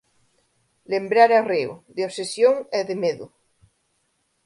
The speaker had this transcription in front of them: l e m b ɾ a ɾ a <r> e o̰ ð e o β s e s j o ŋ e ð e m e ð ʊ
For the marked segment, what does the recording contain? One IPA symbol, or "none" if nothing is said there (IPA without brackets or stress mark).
r